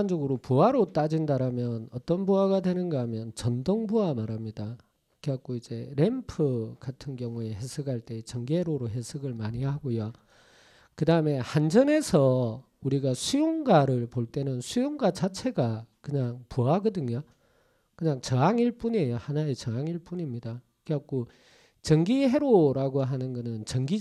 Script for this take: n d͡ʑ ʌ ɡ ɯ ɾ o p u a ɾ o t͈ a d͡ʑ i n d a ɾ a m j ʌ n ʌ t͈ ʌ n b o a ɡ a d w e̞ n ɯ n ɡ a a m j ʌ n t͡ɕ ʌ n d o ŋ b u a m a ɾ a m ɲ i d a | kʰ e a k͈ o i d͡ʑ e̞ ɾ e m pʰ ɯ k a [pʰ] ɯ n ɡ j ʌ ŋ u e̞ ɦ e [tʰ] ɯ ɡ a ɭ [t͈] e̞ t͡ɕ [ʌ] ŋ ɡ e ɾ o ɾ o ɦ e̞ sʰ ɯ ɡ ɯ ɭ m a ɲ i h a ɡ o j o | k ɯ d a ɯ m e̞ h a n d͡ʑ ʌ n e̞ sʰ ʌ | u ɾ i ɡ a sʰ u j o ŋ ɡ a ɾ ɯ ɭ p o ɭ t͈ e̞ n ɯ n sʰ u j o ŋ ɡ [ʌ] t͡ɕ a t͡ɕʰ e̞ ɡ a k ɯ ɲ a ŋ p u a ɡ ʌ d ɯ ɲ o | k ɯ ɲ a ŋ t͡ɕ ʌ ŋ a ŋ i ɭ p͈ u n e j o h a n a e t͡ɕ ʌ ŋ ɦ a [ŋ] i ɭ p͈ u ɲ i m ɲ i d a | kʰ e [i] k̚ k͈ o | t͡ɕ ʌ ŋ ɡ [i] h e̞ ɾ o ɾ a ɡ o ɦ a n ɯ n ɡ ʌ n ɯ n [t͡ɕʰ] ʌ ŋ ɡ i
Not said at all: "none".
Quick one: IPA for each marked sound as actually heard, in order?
tʰ, sʰ, t͈, ʌ, a, ŋ, a, i, t͡ɕ

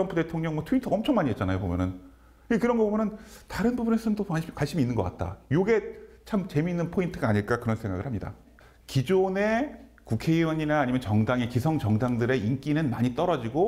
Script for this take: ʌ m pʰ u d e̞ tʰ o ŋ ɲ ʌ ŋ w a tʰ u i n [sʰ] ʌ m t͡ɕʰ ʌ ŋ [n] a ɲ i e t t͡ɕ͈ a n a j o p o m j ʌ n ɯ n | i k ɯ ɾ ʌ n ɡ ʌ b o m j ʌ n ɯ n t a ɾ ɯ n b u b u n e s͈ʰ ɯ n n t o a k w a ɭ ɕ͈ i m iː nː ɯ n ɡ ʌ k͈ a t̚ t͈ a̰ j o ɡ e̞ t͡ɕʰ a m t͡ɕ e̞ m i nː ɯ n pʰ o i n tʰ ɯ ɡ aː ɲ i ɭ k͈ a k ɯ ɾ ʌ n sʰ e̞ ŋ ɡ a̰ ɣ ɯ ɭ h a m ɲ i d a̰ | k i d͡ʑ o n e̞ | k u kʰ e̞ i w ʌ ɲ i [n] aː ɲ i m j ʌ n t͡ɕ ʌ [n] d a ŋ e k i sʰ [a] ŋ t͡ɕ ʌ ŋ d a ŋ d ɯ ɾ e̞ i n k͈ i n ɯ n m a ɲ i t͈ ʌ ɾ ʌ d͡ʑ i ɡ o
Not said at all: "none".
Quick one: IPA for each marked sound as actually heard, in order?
tʰ, m, n, ŋ, ʌ

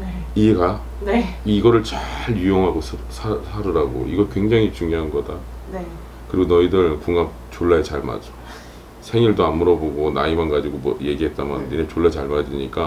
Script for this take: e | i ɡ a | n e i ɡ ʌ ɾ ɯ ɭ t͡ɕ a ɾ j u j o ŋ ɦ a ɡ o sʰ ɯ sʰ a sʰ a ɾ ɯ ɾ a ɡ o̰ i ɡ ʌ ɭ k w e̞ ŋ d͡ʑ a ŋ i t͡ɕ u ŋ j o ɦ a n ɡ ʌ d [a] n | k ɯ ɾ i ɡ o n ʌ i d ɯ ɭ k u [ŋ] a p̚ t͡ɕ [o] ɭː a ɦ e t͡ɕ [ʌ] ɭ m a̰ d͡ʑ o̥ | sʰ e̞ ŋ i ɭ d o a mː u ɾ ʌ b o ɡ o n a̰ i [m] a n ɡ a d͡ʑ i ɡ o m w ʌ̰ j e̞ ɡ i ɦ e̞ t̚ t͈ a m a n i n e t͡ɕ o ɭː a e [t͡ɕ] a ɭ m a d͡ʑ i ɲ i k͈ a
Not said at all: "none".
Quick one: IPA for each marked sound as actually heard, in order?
a, ŋ, o, a, m, t͡ɕ

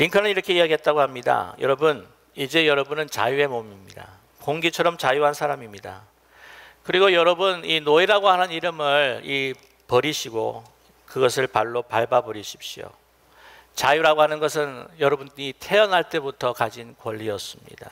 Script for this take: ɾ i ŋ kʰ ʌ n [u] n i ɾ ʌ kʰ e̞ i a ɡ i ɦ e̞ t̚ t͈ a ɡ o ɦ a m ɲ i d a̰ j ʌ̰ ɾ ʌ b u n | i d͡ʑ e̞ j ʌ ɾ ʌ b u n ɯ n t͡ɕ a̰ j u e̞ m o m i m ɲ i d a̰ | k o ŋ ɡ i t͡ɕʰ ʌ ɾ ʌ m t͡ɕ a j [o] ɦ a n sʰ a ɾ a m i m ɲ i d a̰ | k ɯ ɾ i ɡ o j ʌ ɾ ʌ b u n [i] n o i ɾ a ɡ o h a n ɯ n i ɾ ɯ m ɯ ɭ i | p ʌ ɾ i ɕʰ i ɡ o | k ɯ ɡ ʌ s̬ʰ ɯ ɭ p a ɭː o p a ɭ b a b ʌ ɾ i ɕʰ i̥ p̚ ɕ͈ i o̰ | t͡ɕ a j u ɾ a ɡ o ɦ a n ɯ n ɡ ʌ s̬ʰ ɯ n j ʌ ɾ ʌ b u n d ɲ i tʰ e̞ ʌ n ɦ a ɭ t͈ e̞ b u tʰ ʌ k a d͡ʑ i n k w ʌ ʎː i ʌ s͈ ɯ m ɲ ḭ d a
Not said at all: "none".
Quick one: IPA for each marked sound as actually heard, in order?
ɯ, u, i

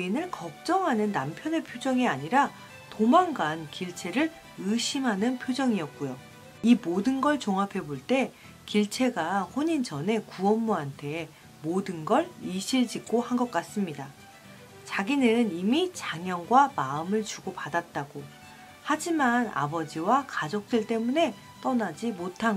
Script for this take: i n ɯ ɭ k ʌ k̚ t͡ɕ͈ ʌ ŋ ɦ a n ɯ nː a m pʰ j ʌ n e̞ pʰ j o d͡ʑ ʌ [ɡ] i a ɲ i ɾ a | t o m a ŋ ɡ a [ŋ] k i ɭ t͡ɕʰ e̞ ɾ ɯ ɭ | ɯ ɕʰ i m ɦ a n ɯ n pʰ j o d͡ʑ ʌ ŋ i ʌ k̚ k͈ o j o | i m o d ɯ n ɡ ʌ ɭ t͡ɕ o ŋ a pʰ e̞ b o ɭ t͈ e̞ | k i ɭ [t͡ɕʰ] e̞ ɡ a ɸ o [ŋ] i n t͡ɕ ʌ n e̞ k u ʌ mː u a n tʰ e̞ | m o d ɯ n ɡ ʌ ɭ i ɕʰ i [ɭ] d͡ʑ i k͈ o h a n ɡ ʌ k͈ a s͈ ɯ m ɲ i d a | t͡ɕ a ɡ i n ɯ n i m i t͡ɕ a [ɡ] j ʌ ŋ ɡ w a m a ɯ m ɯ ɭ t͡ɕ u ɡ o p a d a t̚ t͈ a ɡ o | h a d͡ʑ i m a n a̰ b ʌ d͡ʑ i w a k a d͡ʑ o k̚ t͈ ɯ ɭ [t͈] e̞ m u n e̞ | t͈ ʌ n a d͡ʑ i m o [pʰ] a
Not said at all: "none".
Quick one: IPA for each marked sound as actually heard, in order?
ŋ, n, t͡ɕʰ, ɲ, ɭ, ŋ, t͈, tʰ

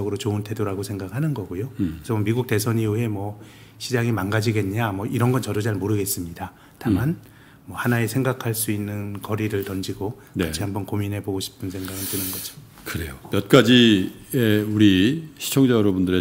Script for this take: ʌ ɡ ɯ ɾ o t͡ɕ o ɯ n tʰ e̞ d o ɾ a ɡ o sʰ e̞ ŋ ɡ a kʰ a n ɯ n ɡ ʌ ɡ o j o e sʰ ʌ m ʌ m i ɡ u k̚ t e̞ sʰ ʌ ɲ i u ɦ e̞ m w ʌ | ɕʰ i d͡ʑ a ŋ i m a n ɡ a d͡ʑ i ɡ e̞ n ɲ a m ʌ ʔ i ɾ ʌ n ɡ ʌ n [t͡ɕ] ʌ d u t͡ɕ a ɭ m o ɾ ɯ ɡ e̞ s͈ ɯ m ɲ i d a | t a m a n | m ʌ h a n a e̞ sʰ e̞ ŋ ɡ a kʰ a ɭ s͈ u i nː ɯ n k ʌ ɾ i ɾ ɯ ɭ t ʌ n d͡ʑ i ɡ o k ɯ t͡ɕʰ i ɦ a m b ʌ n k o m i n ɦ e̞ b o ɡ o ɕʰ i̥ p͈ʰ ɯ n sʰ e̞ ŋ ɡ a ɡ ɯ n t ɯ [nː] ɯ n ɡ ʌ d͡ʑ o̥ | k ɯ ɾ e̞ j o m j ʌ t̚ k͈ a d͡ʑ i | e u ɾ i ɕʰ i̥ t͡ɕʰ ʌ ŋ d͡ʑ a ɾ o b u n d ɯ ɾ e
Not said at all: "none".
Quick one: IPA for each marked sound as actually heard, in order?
t͡ɕ, n

